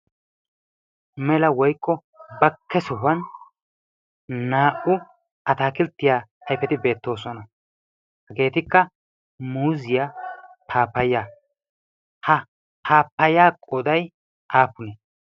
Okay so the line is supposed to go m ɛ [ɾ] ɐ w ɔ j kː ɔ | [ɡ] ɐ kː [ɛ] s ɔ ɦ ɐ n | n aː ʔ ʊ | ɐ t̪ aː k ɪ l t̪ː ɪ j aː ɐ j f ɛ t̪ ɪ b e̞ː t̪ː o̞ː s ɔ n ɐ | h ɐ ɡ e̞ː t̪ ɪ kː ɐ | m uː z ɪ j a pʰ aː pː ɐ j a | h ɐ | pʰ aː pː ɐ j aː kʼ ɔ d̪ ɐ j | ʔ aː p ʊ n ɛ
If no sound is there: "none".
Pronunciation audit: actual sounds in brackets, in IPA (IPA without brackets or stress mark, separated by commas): l, b, ɛ